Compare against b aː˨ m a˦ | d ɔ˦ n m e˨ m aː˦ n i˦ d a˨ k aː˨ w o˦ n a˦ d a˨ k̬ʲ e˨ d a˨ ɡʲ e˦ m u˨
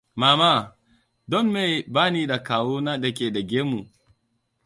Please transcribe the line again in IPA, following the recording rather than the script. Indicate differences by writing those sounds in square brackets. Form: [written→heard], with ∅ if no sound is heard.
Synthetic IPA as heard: [b→m] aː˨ m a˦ | d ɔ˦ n m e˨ [m→b] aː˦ n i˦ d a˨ k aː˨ w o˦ n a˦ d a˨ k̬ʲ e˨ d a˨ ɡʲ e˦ m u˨